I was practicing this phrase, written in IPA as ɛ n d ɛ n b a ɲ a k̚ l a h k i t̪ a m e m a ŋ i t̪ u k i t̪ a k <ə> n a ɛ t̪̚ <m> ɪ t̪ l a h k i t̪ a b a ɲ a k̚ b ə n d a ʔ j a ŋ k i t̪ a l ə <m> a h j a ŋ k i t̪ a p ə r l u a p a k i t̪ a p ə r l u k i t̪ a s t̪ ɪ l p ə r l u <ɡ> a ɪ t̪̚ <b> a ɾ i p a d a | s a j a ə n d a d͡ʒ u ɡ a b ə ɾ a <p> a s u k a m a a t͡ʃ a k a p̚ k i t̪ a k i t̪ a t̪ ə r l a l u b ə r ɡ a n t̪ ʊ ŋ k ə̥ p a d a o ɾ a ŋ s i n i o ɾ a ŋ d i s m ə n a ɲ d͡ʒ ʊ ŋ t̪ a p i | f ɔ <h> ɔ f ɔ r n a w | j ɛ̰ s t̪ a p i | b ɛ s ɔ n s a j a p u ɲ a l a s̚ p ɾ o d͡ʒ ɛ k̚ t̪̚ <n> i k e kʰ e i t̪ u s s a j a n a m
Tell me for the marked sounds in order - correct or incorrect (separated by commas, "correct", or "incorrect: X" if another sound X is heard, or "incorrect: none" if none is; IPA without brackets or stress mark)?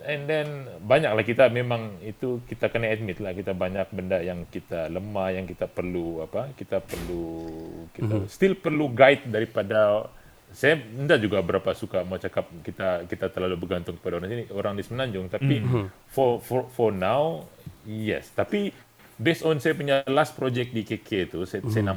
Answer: correct, correct, correct, correct, incorrect: d, correct, incorrect: f, incorrect: d